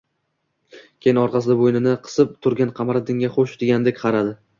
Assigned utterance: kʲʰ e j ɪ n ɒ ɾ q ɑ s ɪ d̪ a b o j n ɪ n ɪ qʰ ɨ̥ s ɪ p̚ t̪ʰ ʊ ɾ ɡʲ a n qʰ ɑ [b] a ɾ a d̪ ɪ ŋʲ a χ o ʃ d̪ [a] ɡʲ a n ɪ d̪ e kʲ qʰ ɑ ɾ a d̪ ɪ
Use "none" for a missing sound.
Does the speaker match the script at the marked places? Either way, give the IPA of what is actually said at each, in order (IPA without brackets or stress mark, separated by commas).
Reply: m, e